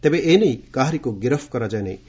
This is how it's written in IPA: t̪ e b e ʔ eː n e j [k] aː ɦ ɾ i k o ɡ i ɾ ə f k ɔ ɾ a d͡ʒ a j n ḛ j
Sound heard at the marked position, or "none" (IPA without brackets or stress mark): k